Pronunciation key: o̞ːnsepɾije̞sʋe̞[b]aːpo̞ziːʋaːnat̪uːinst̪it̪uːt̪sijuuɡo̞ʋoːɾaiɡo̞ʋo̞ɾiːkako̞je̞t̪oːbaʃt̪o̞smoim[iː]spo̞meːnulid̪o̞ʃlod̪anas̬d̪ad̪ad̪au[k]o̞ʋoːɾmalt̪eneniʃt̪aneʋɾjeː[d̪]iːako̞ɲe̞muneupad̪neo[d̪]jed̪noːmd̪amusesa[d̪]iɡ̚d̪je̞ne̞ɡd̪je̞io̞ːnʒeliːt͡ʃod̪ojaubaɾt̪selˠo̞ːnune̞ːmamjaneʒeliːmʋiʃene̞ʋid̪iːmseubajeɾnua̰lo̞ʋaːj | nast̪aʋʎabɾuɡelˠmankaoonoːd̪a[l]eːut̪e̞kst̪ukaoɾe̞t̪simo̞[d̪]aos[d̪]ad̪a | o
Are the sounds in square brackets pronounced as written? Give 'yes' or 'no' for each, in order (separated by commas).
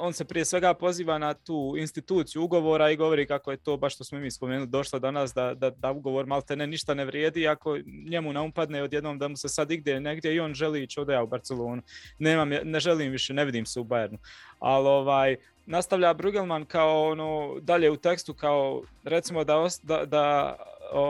no, yes, no, yes, yes, yes, no, yes, yes